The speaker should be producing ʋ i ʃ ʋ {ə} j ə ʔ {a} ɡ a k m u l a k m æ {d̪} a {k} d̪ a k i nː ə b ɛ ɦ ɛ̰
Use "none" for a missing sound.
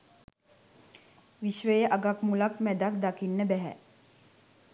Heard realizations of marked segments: ə, a, d̪, k

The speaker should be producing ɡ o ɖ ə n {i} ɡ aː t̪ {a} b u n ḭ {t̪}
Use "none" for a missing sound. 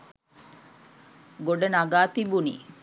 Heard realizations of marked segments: a, i, none

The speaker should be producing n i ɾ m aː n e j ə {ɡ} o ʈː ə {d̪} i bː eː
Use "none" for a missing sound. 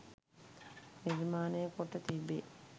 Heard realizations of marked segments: k, t̪

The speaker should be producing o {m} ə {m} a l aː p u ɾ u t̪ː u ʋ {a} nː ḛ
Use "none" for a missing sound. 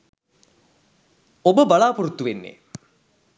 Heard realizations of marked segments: b, b, e

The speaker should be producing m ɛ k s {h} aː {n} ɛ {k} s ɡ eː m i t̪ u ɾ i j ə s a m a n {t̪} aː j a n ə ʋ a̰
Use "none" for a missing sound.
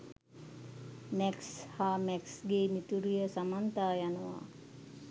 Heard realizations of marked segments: h, m, k, t̪

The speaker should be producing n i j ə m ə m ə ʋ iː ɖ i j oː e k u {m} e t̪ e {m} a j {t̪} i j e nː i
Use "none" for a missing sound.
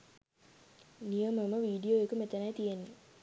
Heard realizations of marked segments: m, n, t̪

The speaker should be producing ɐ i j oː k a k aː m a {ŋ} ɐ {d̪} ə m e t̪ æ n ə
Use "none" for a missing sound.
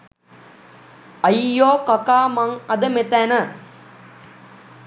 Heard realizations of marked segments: ŋ, d̪

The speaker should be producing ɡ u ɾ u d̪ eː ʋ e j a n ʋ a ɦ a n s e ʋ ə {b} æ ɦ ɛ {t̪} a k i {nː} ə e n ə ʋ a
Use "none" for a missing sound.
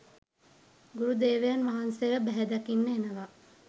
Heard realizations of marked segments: b, d̪, nː

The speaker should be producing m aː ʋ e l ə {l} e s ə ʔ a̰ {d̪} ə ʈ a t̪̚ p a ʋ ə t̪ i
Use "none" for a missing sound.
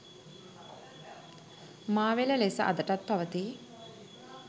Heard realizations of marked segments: l, d̪

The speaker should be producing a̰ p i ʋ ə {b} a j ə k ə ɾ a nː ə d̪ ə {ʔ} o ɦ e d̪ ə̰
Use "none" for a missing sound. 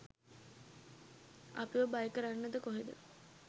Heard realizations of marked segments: b, k

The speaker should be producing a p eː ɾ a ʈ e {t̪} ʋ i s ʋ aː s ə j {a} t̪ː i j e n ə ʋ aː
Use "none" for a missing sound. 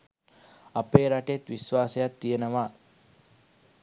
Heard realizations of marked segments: t̪, a

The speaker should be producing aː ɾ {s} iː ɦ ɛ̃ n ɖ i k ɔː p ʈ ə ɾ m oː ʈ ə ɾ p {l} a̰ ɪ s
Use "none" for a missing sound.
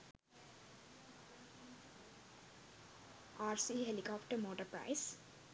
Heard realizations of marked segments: s, ɾ

